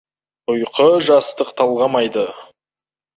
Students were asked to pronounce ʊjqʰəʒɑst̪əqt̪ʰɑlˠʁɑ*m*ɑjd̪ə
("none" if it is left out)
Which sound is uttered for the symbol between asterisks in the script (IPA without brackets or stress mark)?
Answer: m